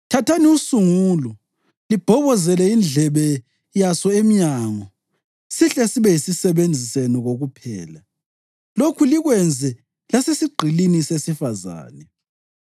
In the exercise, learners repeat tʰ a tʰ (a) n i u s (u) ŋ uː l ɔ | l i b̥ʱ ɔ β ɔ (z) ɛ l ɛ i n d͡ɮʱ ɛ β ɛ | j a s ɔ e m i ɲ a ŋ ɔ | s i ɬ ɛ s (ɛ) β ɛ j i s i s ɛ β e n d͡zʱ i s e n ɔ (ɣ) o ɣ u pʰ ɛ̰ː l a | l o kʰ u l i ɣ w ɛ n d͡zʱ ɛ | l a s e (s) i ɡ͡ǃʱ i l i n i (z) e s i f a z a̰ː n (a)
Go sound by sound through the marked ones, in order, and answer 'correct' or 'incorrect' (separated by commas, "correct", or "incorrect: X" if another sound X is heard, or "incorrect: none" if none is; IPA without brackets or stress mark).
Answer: correct, correct, correct, incorrect: i, correct, correct, incorrect: s, incorrect: ɛ